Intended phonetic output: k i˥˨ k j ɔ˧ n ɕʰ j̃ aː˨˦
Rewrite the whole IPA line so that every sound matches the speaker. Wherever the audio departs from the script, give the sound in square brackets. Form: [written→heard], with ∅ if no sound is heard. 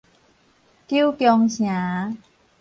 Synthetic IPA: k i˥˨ k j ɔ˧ [n→ŋ] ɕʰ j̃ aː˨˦